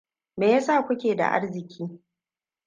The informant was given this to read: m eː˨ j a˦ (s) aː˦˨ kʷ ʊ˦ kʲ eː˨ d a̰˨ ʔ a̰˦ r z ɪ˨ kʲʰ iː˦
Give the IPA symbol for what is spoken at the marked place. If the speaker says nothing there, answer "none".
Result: s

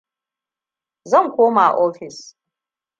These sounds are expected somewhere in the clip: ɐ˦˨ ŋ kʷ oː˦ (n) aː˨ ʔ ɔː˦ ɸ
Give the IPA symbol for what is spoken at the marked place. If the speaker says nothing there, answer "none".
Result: m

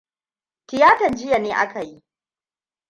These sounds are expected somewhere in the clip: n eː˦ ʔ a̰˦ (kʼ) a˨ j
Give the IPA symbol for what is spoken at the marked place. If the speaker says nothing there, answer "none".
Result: k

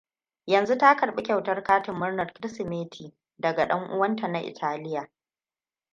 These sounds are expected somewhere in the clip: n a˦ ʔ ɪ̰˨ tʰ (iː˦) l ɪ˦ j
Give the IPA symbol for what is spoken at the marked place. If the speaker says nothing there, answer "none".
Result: aː˦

